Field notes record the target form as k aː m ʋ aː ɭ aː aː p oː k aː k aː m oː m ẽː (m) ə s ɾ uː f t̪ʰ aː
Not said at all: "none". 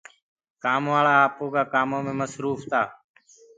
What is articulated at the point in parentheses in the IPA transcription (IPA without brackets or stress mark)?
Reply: m